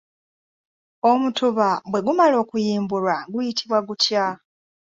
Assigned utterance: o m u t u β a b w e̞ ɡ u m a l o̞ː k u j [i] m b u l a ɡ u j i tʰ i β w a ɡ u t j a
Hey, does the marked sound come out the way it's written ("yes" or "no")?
no